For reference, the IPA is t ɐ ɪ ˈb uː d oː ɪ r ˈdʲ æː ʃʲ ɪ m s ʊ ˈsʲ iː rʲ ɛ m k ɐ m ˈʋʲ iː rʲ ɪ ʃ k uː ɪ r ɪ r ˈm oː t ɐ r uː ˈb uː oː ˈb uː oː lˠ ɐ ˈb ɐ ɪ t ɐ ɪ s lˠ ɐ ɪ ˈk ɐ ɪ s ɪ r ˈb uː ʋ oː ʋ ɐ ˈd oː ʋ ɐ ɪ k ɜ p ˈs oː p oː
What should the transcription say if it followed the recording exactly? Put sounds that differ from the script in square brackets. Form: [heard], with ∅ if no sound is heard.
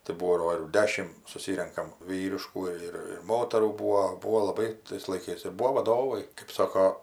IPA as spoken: t ɐ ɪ ˈb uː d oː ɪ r ˈdʲ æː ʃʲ ɪ m s ʊ ˈsʲ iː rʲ ɛ [ŋ] k ɐ m ˈʋʲ iː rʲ ɪ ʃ k uː ɪ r ɪ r ˈm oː t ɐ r uː ˈb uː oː ˈb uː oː lˠ ɐ ˈb ɐ ɪ t ɐ ɪ s lˠ ɐ ɪ ˈk ɐ ɪ s ɪ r ˈb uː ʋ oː ʋ ɐ ˈd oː ʋ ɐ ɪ k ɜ p ˈs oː [k] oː